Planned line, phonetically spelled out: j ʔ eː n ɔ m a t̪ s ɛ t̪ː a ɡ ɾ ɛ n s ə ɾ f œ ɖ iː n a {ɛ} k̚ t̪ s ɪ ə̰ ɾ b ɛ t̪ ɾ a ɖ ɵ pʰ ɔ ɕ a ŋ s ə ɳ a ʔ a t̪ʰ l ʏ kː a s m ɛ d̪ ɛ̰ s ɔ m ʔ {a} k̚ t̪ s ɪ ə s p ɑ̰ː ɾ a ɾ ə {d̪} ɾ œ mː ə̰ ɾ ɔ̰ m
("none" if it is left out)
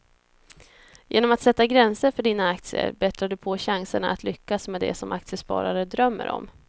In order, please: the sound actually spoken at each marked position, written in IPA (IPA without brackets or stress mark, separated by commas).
a, a, d̪